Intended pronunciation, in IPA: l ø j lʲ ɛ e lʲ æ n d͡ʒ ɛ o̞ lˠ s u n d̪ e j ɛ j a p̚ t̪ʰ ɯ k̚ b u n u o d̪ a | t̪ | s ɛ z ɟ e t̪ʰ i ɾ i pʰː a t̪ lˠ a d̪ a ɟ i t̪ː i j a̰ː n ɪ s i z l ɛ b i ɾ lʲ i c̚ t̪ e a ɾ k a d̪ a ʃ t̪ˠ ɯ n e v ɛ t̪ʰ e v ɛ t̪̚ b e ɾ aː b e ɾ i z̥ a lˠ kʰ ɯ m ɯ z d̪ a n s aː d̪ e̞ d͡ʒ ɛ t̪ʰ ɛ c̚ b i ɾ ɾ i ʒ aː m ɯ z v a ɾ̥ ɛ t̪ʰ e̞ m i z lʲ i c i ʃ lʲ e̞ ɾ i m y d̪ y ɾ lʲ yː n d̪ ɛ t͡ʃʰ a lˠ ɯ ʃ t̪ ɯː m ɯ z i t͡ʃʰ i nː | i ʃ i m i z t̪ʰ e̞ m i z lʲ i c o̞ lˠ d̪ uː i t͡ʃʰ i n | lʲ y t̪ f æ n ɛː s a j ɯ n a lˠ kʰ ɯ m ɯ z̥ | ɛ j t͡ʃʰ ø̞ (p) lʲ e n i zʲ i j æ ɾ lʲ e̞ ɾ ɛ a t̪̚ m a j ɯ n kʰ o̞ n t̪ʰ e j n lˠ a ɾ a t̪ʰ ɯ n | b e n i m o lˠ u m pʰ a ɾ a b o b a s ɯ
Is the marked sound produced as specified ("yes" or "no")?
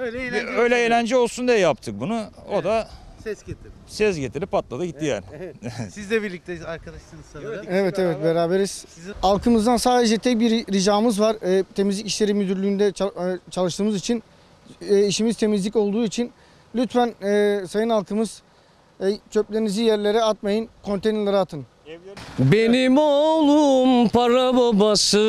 yes